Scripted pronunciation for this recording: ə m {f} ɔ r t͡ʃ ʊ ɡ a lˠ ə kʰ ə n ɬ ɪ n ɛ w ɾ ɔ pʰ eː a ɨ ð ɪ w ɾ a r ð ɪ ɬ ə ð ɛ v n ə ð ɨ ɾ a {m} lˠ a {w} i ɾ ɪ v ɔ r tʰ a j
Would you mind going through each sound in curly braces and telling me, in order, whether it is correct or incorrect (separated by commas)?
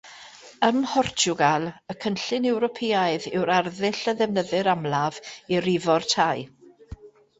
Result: incorrect, correct, incorrect